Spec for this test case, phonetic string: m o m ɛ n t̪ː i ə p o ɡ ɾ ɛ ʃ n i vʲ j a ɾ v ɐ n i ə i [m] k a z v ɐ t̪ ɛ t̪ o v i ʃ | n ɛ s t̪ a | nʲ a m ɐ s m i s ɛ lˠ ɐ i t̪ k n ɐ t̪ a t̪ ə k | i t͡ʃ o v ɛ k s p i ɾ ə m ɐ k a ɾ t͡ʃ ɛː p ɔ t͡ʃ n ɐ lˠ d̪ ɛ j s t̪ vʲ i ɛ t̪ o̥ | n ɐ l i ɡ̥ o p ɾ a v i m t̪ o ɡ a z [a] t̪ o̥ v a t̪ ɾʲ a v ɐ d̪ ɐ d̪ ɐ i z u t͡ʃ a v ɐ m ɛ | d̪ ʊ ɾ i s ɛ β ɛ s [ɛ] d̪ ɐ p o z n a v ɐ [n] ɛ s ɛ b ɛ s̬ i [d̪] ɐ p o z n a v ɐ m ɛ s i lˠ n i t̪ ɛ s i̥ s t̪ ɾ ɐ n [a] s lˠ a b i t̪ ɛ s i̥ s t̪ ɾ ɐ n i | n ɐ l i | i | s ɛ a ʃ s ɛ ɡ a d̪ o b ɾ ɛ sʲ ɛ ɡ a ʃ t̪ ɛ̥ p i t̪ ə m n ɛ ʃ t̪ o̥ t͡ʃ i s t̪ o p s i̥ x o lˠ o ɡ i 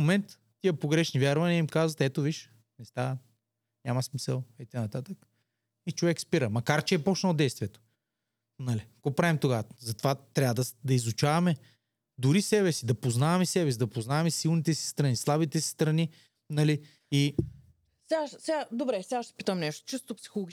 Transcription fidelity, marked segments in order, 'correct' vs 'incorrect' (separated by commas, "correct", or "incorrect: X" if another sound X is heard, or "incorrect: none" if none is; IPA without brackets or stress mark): correct, incorrect: ɐ, incorrect: i, incorrect: m, correct, incorrect: i